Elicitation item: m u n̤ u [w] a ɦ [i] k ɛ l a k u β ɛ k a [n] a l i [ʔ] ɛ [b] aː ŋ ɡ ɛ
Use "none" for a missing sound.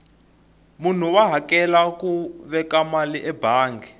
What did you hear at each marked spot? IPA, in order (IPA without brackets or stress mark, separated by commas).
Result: w, a, m, ʔ, b